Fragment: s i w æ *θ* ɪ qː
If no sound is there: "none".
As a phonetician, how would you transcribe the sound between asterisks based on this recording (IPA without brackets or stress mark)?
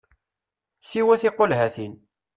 θ